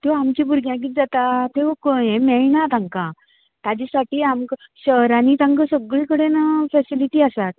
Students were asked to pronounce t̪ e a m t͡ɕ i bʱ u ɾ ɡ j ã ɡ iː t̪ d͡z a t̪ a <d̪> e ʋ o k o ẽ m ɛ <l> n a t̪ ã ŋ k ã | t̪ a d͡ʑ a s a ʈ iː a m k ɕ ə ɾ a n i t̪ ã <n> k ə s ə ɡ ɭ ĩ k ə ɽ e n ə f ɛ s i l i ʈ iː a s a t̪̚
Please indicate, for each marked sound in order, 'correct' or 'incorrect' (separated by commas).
incorrect, incorrect, incorrect